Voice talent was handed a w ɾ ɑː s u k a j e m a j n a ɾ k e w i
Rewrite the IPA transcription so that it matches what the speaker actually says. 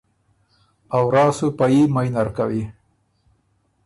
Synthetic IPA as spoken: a w ɾ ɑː s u p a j i m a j n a ɾ k a w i